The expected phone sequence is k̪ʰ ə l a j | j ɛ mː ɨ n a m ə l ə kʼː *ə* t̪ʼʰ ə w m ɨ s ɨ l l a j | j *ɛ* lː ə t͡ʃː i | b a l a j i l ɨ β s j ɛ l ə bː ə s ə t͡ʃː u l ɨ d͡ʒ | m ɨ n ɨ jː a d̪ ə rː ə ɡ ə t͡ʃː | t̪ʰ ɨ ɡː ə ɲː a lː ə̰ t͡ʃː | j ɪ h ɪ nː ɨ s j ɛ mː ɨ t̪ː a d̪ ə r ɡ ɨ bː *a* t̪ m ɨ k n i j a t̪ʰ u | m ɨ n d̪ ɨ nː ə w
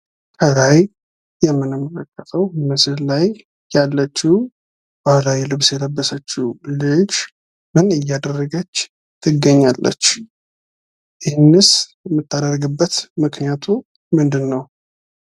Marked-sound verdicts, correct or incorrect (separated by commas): correct, incorrect, incorrect